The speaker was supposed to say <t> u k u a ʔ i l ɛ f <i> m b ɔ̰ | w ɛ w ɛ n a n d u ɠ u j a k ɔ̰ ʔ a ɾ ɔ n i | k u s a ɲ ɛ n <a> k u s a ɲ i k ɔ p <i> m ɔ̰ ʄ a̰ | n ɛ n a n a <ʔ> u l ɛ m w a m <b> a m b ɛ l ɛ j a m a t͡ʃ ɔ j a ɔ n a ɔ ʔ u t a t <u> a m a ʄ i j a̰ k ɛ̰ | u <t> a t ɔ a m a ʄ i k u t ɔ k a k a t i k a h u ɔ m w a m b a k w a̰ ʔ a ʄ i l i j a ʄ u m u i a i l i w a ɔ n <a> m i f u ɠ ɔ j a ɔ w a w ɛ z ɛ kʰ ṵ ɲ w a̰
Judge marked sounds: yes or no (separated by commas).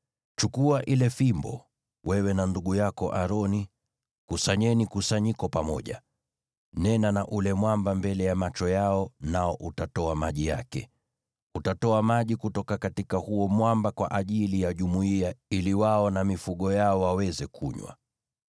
no, yes, no, no, yes, yes, no, yes, yes